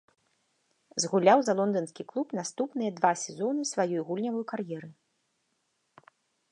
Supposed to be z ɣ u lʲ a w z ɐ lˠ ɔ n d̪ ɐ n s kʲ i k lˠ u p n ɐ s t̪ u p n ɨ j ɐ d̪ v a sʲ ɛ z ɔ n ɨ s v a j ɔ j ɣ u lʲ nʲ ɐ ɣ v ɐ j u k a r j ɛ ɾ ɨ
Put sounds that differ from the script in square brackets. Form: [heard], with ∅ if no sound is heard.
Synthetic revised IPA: z ɣ u lʲ a w z ɐ lˠ ɔ n d̪ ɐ n s kʲ i k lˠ u p n [a] s t̪ u p n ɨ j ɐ d̪ v a sʲ ɛ z ɔ n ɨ s v a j ɔ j ɣ u lʲ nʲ ɐ [∅] v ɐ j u k a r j ɛ ɾ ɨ